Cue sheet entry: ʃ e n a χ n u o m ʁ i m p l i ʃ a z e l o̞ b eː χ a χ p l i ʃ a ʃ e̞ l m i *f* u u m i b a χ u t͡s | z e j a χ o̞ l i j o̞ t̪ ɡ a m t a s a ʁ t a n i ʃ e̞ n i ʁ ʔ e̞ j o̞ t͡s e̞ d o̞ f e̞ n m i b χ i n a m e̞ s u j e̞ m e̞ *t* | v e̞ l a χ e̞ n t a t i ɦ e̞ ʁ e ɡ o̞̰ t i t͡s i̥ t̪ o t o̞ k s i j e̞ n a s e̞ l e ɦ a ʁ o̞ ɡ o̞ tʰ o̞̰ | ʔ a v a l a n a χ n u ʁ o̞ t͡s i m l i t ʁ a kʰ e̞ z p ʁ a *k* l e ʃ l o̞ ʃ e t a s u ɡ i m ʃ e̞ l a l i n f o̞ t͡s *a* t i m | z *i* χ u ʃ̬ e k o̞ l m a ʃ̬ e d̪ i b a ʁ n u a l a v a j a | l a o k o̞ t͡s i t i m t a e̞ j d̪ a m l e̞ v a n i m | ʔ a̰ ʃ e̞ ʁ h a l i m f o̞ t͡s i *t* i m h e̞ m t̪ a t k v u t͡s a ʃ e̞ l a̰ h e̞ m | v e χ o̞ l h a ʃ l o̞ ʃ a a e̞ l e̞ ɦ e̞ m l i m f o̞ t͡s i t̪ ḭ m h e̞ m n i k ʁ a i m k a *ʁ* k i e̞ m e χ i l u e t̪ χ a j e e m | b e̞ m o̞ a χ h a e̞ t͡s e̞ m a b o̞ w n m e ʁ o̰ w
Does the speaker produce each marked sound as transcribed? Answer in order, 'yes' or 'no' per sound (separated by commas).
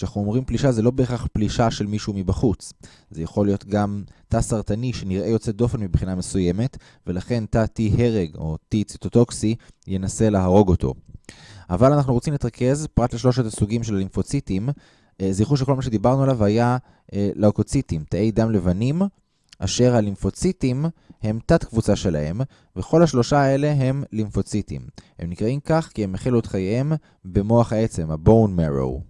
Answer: no, yes, no, no, yes, yes, no